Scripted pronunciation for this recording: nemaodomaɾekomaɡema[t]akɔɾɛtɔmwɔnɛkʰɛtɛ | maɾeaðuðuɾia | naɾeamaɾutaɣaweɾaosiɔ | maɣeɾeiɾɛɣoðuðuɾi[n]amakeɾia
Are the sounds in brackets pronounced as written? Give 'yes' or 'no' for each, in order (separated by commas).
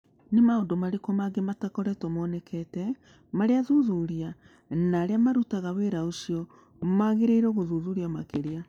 yes, no